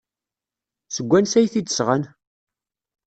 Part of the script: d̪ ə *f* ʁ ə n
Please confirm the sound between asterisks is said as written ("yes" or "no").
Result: no